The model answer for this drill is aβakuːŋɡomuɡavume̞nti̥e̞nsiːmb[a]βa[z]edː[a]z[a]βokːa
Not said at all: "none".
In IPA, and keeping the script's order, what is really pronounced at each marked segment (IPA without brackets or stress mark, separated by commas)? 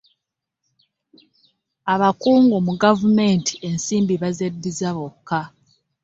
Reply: i, z, i, a